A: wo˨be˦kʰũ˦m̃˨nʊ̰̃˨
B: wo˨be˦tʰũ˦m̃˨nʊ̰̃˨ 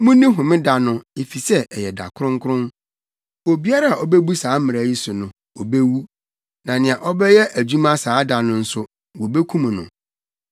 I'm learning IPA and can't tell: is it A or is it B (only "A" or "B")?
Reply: A